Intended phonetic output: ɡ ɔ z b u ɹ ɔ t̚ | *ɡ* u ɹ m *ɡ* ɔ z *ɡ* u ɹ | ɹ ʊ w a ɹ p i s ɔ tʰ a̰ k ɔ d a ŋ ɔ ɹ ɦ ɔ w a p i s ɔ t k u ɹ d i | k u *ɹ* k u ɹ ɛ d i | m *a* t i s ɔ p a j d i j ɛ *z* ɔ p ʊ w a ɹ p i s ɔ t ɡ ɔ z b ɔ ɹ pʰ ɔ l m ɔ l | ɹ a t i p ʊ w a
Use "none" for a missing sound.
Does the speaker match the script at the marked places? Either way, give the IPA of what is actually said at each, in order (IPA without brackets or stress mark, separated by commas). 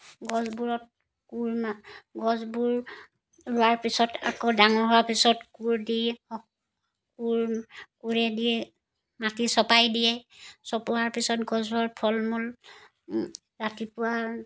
k, ɡ, b, ɹ, a, s